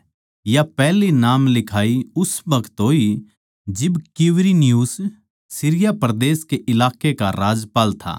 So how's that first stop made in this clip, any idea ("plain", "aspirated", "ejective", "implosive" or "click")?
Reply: plain